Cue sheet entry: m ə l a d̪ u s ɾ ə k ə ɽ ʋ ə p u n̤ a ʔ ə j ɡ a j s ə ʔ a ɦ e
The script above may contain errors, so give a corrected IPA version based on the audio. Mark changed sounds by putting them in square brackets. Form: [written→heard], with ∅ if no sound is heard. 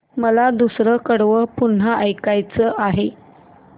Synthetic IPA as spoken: m ə l a d̪ u s ɾ ə k ə ɽ ʋ ə p u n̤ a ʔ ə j [ɡ→k] a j [s→t͡s] ə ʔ a ɦ e